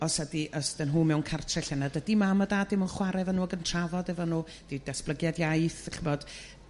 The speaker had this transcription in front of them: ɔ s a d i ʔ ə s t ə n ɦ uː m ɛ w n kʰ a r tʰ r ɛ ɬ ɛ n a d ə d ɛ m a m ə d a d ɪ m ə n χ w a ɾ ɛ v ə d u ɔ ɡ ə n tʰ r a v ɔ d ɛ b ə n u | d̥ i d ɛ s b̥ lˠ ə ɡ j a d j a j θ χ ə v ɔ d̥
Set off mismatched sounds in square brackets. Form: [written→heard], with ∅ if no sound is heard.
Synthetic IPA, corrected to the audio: ɔ s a d i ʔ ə s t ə n ɦ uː m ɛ w n kʰ a r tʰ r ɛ ɬ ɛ n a d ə d [ɛ→i] m a m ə d a d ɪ m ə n χ w a ɾ ɛ v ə [d→n] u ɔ ɡ ə n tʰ r a v ɔ d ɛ [b→v] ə n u | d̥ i d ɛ s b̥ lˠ ə ɡ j a d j a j θ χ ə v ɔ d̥